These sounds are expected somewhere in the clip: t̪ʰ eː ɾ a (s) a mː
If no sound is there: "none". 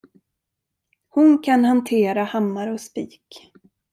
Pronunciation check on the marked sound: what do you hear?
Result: h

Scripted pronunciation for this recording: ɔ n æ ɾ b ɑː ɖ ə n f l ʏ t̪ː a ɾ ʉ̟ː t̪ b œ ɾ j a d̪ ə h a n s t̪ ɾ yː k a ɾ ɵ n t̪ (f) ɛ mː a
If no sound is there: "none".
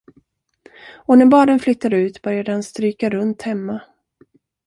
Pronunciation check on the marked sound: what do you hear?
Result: h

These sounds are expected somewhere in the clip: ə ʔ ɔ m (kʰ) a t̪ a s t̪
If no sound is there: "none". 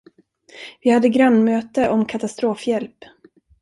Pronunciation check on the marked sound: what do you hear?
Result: kʰ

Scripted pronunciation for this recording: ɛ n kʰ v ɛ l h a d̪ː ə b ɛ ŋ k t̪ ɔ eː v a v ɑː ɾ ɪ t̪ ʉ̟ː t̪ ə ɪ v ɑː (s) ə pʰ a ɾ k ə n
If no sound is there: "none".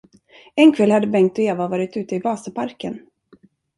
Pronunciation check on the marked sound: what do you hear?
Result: s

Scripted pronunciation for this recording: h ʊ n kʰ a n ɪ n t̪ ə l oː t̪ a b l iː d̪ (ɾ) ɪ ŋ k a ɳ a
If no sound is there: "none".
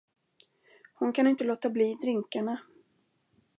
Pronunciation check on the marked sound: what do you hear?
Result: ɾ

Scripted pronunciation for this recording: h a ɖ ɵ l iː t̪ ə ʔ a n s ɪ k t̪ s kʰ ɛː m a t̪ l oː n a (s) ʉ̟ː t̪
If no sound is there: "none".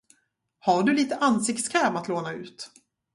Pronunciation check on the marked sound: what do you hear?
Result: none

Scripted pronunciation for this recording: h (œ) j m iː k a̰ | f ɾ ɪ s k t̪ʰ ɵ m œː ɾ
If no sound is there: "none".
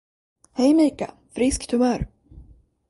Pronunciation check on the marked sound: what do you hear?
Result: ɛ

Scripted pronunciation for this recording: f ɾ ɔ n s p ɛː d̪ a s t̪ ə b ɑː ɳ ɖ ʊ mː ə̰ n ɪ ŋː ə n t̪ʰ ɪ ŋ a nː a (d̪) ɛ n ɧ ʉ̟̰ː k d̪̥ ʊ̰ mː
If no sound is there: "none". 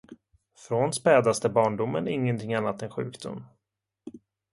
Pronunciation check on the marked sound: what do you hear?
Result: t̪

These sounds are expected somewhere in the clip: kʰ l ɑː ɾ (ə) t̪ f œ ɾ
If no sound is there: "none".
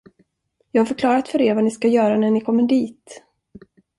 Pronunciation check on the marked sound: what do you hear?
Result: a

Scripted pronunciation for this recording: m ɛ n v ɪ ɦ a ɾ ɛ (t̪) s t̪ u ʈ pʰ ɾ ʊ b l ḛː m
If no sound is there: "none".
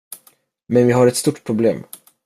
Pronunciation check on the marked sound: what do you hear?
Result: t̪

